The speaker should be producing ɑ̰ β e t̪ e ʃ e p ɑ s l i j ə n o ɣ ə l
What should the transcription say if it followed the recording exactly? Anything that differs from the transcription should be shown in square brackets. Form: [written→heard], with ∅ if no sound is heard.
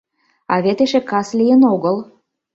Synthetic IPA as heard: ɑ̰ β e t̪ e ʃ e [p→k] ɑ s l i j ə n o ɣ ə l